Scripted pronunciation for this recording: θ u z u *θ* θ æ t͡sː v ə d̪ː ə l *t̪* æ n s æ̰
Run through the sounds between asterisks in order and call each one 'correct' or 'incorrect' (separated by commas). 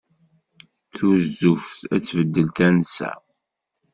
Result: incorrect, correct